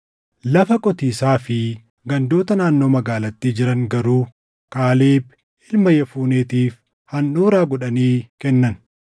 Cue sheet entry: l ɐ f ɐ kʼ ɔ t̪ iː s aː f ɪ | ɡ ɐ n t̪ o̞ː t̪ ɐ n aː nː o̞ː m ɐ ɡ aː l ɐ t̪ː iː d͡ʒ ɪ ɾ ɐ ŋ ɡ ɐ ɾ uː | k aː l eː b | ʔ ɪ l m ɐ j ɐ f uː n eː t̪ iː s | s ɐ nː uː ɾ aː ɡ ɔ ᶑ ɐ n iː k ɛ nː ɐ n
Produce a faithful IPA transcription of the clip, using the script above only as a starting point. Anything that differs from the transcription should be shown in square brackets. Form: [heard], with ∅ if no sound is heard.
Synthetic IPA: l ɐ f ɐ kʼ ɔ t̪ iː s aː f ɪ | ɡ ɐ n [d̪] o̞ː t̪ ɐ n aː nː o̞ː m ɐ ɡ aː l ɐ t̪ː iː d͡ʒ ɪ ɾ ɐ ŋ ɡ ɐ ɾ uː | k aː l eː b | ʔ ɪ l m ɐ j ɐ f uː n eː t̪ iː [f] | [h] ɐ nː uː ɾ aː ɡ ɔ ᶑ ɐ n iː k ɛ nː ɐ n